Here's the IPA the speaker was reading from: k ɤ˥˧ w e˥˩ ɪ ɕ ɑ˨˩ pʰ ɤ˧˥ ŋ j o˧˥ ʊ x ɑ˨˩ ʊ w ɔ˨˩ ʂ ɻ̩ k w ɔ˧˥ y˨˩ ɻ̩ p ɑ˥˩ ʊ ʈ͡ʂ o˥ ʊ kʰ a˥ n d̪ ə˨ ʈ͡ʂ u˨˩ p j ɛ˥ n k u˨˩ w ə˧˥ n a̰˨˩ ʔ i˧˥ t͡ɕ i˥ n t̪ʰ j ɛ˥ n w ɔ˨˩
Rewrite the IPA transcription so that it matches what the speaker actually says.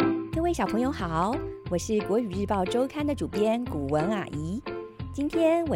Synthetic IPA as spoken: k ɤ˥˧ w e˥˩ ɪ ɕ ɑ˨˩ pʰ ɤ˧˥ ŋ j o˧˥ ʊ x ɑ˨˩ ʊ w ɔ˨˩ ʂ ɻ̩ k w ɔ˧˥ y˨˩ ɻ̩ p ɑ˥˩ ʊ ʈ͡ʂ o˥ ʊ kʰ a˥ n d̪ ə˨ ʈ͡ʂ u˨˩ p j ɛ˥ n k u˨˩ w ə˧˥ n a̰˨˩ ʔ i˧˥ t͡ɕ i˥ n t̪ʰ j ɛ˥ n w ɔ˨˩